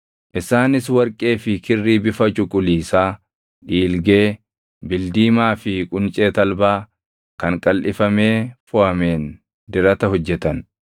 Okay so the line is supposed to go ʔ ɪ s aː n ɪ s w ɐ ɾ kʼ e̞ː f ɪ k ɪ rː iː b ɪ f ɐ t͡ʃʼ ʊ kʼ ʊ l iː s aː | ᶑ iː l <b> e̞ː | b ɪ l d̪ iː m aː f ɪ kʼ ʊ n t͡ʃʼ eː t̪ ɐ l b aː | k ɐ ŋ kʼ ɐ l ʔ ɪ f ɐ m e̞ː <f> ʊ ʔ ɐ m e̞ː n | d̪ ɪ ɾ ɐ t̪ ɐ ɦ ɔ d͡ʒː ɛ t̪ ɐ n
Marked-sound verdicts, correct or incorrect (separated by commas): incorrect, correct